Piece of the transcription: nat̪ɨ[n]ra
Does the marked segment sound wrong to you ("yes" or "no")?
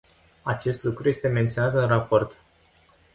no